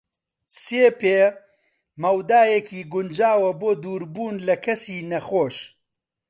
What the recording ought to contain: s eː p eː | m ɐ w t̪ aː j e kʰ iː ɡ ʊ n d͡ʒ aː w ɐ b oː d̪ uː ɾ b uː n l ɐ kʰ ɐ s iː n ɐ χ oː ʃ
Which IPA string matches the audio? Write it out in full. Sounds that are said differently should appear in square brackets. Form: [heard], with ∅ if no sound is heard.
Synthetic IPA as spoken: s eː p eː | m ɐ w [d̪] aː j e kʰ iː ɡ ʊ n d͡ʒ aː w ɐ b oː d̪ uː ɾ b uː n l ɐ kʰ ɐ s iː n ɐ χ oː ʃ